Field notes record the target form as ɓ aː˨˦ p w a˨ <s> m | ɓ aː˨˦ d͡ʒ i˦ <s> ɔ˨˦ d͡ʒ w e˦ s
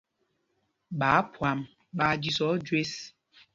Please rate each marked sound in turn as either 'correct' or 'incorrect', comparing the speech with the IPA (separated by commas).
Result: incorrect, correct